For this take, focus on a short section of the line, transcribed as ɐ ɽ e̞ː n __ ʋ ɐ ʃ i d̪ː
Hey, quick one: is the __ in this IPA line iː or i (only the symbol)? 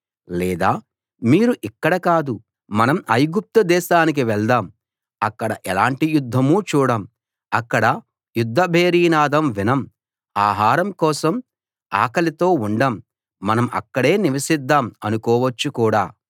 i